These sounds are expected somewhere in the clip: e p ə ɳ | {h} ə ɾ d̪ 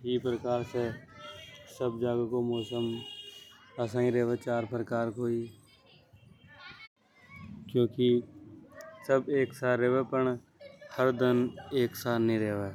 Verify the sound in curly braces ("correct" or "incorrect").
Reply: correct